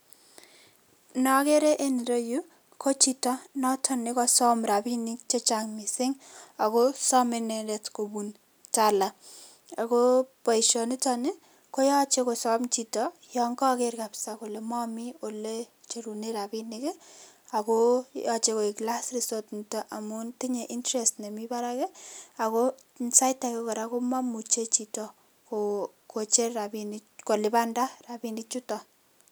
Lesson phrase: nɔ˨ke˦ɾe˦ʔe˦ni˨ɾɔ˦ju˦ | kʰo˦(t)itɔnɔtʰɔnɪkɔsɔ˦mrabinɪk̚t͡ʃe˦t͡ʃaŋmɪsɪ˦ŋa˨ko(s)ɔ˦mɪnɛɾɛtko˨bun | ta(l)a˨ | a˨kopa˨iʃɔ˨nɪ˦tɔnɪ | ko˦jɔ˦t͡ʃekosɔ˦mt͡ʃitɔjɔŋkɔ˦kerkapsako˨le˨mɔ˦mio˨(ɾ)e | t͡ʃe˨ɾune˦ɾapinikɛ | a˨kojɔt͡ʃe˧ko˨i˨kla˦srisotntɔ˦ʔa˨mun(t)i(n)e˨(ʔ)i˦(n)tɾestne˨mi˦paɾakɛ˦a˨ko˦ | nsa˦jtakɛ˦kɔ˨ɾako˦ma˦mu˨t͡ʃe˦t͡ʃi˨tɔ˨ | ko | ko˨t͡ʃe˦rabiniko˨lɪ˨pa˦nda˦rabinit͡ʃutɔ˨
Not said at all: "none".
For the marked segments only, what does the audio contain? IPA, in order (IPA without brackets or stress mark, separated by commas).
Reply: t͡ʃ, s, l, l, t, ɲ, ʔ, n